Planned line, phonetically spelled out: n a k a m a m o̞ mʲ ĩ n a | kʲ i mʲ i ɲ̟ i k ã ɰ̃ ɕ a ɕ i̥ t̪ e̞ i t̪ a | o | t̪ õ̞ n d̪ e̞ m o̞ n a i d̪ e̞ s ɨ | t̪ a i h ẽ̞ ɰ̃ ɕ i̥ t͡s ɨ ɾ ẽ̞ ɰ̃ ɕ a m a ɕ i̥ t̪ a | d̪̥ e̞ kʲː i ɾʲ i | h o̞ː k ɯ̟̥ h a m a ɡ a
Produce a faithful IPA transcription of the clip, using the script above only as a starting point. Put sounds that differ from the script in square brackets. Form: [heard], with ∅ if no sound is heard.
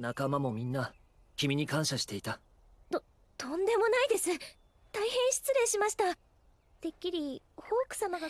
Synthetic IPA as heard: n a k a m a m o̞ mʲ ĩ [nː] a | kʲ i mʲ i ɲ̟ i k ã ɰ̃ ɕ a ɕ i̥ t̪ e̞ i t̪ a | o | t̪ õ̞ n d̪ e̞ m o̞ n a i d̪ e̞ s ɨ | t̪ a i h ẽ̞ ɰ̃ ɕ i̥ t͡s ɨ ɾ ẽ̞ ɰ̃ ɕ [i] m a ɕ i̥ t̪ a | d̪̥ e̞ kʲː i ɾʲ i | h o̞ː k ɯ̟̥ [s] a m a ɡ a